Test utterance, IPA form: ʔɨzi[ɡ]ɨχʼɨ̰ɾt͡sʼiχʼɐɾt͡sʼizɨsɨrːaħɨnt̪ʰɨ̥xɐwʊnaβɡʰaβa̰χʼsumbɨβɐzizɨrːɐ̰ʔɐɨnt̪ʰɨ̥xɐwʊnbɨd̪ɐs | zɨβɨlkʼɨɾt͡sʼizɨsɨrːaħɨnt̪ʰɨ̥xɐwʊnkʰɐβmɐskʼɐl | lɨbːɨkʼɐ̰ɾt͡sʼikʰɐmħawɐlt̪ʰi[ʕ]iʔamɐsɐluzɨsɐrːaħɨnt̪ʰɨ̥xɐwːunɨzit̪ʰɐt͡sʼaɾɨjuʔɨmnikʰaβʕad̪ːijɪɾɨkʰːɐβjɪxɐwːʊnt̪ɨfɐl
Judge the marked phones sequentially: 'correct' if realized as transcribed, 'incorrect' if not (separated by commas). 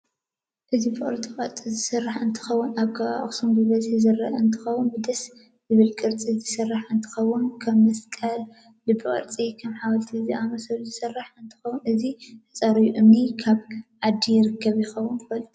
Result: incorrect, incorrect